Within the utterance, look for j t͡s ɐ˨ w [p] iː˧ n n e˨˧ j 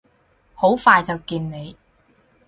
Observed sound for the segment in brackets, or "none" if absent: k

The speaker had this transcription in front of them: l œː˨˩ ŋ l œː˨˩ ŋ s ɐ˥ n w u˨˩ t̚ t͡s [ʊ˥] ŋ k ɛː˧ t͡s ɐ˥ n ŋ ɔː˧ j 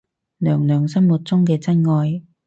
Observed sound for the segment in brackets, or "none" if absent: ʊ˥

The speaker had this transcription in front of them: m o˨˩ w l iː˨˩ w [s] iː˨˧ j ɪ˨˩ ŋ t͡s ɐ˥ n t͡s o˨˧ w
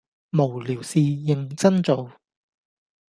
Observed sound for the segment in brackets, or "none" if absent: s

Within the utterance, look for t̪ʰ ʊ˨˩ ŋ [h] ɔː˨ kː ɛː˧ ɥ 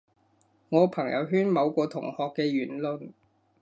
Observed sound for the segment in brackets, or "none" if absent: h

